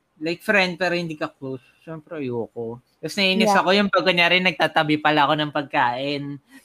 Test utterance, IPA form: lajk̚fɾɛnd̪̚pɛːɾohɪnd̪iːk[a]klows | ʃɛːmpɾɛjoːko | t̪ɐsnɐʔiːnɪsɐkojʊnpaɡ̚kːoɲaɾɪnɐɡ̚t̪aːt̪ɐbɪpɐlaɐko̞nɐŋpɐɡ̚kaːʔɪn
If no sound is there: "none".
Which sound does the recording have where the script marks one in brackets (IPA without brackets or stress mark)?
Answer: ɐ